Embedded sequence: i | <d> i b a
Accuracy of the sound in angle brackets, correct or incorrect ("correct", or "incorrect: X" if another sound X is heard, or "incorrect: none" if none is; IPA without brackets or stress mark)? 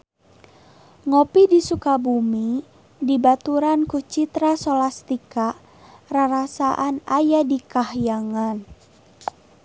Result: correct